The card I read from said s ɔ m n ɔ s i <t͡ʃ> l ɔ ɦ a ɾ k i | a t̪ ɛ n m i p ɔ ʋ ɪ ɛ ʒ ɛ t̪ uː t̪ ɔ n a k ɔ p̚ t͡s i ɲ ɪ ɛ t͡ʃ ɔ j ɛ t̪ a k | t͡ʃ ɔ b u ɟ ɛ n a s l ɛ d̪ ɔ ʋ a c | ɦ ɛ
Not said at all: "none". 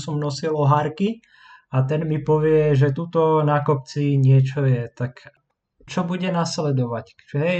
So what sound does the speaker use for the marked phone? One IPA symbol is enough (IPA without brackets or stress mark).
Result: none